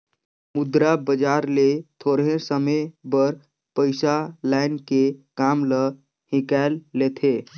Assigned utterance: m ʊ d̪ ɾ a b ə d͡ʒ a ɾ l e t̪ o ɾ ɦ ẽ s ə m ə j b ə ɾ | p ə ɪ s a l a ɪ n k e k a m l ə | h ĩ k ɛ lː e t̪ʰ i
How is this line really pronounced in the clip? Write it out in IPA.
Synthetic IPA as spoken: m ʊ d̪ ɾ a b ə d͡ʒ a ɾ l e t̪ʰ o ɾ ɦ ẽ s ə m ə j b ə ɾ | p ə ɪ s a l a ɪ n k e k a m l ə | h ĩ k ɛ lː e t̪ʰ e